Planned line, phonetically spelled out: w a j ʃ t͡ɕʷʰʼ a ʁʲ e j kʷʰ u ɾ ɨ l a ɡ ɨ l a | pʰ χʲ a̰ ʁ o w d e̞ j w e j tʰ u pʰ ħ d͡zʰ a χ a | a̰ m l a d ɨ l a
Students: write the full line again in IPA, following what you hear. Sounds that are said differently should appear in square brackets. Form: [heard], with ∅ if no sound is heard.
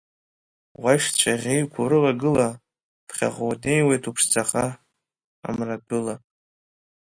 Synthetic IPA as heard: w a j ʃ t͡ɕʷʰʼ a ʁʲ e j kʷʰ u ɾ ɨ l a ɡ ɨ l a | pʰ χʲ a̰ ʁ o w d e̞ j w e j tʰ u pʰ [ʂ] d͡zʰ a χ a | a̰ m [r] a d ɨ l a